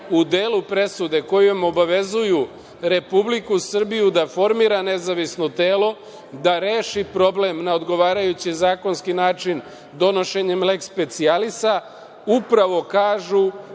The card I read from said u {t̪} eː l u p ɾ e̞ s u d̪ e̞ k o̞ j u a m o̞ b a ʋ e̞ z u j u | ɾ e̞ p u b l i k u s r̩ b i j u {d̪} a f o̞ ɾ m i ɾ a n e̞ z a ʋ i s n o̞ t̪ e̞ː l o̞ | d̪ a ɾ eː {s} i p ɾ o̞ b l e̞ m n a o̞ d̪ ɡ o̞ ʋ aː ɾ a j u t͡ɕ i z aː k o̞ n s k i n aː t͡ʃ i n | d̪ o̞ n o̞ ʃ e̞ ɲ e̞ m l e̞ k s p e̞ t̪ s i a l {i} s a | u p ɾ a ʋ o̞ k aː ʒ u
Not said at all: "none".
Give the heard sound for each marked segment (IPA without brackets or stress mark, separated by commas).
d̪, d̪, ʃ, i